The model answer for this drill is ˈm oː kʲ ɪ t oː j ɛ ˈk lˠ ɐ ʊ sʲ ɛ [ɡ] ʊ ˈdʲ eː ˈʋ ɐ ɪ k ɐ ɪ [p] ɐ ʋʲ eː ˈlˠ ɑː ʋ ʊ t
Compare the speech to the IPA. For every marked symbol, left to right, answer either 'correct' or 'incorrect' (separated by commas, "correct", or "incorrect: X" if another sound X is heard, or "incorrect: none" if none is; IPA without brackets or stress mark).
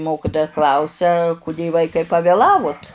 incorrect: k, correct